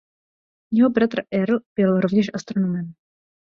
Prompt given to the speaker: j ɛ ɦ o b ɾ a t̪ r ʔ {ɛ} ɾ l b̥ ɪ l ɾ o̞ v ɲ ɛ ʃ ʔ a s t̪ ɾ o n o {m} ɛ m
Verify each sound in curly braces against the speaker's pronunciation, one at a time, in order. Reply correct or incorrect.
correct, correct

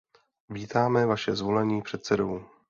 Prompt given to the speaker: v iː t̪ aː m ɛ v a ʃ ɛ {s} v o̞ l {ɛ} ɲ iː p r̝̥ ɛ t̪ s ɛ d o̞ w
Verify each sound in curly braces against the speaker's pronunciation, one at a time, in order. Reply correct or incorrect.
incorrect: z, correct

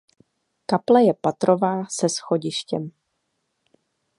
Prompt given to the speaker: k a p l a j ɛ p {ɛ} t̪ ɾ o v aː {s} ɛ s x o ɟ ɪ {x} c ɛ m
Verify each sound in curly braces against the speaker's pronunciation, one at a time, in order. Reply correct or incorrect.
incorrect: a, correct, incorrect: ʃ

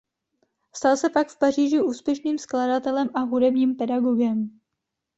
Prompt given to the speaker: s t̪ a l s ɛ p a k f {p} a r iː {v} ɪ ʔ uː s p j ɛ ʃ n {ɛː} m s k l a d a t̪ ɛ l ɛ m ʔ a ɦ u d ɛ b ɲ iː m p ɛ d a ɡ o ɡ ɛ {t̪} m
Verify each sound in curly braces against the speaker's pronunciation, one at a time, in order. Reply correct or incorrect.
correct, incorrect: ʒ, incorrect: iː, incorrect: none

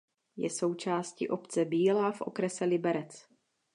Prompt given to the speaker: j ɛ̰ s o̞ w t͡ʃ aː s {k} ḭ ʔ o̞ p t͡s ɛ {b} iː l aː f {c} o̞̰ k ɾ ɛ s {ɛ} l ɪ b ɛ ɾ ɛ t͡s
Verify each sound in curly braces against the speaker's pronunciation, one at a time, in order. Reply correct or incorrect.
incorrect: c, correct, incorrect: ʔ, correct

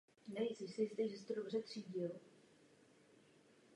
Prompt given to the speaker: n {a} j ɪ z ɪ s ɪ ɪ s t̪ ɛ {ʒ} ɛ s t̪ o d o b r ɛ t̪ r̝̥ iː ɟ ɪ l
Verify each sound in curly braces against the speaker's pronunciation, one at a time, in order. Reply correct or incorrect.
incorrect: ɛ, correct

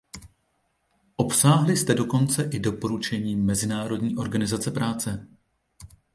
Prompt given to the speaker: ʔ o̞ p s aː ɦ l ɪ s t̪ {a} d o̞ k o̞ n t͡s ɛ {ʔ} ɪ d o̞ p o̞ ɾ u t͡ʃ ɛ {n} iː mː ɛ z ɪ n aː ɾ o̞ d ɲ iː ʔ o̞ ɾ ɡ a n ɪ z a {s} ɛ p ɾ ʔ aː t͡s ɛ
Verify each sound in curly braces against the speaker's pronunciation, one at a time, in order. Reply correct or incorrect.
incorrect: ɛ, correct, incorrect: ɲ, incorrect: t͡s

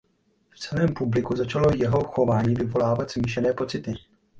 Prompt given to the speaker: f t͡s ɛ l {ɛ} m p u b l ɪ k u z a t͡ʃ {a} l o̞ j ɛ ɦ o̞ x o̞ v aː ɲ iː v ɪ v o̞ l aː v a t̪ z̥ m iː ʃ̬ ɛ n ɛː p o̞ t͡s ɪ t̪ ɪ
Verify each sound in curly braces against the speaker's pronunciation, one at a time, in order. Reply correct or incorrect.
incorrect: ɛː, correct

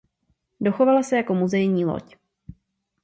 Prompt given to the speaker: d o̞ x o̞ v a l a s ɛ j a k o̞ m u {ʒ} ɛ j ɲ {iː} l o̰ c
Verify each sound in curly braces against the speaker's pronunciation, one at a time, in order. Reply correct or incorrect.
incorrect: z, correct

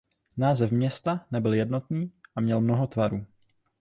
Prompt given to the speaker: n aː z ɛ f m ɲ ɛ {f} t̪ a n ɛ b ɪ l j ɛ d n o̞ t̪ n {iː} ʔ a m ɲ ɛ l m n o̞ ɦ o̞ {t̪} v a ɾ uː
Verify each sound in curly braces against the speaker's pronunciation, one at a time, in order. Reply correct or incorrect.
incorrect: s, correct, correct

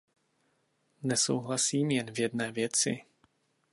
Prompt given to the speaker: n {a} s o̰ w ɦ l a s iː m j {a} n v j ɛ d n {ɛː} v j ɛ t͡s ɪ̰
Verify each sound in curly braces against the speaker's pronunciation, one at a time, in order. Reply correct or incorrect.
incorrect: ɛ, incorrect: ɛ, correct

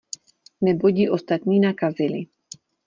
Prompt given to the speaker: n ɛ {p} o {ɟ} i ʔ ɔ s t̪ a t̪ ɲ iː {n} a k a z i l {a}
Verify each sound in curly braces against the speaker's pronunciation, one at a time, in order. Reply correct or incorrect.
incorrect: b, correct, correct, incorrect: i

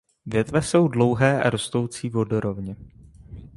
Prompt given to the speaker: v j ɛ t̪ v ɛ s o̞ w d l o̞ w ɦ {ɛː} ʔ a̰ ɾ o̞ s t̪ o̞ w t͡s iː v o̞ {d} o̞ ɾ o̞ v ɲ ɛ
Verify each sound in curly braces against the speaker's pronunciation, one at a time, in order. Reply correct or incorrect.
correct, correct

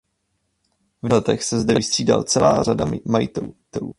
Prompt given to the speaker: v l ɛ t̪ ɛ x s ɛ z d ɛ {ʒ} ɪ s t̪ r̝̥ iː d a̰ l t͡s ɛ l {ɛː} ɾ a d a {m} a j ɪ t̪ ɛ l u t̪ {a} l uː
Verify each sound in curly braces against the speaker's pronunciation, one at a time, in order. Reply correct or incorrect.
incorrect: v, incorrect: aː, correct, incorrect: ɛ

